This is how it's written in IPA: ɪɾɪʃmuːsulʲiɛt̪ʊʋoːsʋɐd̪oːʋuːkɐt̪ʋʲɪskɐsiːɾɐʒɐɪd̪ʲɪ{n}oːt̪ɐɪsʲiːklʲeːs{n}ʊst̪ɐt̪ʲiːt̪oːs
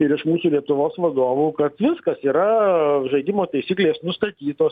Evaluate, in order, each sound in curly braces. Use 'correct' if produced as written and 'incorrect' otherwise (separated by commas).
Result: incorrect, correct